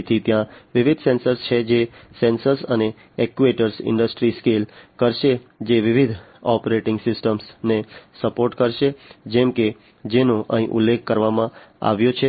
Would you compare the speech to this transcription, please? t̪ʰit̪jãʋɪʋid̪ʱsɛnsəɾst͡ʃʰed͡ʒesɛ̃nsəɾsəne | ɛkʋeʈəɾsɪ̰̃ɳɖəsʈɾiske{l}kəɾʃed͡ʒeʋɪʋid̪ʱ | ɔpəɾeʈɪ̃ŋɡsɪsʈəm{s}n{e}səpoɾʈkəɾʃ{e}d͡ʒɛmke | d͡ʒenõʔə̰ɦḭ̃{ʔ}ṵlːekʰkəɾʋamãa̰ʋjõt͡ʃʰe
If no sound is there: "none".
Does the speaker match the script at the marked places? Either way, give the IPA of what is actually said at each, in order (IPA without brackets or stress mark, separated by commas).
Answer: l, s, e, e, ʔ